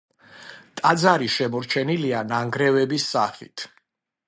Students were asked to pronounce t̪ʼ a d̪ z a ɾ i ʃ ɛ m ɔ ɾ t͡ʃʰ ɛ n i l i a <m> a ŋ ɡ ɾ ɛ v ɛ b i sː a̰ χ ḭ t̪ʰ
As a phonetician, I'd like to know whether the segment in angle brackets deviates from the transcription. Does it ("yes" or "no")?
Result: yes